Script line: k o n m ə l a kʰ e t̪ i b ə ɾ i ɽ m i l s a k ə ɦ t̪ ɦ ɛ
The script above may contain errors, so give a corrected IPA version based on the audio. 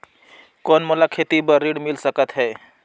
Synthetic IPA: k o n m ə l a kʰ e t̪ i b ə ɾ i ɽ m i l s ə k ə t̪ ɦ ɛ